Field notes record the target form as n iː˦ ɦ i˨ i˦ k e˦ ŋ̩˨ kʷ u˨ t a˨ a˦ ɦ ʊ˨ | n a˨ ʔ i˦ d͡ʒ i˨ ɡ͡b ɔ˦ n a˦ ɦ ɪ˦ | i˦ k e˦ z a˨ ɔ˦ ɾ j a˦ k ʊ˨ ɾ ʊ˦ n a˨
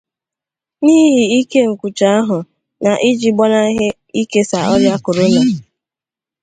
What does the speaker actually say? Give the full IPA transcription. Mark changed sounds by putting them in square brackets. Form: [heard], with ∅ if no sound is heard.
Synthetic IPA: n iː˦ ɦ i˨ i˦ k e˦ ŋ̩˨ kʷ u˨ [t͡ʃ] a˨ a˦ ɦ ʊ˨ | n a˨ ʔ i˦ d͡ʒ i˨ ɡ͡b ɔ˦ n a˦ ɦ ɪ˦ | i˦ k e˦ [s] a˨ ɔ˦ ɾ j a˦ k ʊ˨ ɾ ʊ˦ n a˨